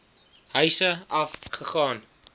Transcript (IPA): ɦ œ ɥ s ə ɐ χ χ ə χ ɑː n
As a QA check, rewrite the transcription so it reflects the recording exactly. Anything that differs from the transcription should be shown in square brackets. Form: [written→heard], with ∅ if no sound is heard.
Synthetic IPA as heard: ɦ œ ɥ s ə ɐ [χ→f] χ ə χ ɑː n